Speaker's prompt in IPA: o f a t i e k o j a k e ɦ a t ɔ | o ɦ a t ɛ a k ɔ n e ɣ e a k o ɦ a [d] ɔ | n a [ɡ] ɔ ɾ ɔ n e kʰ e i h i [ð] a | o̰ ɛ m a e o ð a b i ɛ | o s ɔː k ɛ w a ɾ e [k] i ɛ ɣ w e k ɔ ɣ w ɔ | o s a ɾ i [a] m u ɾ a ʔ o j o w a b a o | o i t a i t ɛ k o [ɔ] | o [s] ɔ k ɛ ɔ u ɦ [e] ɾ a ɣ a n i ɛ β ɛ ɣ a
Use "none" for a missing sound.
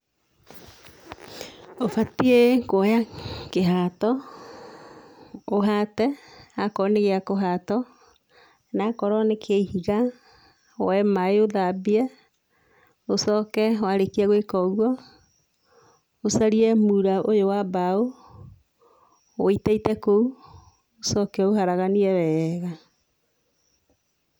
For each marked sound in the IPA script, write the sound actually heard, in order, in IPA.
t, k, ɣ, k, ɛ, u, s, a

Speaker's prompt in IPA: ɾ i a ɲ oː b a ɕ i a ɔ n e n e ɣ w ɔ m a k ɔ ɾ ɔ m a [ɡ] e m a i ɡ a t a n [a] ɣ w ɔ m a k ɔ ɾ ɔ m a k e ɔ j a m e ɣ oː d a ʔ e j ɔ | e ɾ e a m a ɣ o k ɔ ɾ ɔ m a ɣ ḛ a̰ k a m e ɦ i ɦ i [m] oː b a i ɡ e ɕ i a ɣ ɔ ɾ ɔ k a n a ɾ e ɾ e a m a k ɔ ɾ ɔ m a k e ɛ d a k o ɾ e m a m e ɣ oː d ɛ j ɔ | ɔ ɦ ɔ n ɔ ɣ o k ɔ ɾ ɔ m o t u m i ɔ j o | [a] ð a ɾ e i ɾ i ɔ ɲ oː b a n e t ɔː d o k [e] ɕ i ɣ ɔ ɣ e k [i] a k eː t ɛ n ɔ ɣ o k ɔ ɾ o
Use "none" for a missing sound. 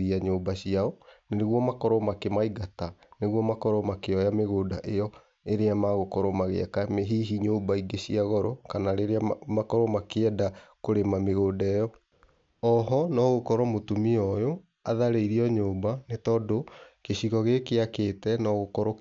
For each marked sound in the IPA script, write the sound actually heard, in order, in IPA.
k, e, ɲ, a, e, e

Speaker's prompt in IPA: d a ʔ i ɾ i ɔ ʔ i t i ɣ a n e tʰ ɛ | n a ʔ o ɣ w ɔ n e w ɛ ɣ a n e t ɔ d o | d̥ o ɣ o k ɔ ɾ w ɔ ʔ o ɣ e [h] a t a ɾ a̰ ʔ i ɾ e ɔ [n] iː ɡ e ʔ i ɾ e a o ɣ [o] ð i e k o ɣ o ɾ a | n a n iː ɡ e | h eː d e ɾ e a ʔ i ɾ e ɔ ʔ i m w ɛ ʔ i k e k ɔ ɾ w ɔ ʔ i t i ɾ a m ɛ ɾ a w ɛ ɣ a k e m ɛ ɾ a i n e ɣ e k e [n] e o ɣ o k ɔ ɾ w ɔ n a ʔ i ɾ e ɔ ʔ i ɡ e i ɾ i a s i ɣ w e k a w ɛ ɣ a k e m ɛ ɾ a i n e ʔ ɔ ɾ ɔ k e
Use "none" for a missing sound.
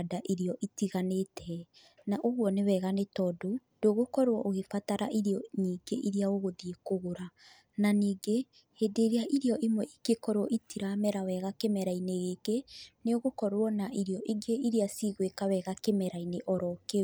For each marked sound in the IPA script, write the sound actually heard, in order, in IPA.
f, ɲ, o, n

